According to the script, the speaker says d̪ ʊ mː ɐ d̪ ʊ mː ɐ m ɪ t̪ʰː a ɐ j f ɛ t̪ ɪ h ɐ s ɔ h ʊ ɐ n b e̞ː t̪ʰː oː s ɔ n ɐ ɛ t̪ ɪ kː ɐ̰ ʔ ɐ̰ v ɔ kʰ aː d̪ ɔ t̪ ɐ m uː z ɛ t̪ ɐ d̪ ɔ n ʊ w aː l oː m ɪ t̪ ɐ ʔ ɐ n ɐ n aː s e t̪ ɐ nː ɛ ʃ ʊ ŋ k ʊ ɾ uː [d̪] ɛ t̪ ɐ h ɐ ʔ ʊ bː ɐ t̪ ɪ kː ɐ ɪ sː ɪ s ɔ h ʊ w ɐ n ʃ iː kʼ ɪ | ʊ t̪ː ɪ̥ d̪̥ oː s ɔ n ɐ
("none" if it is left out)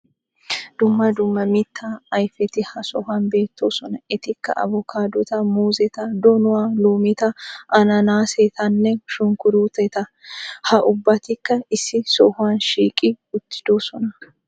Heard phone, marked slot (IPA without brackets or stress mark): t̪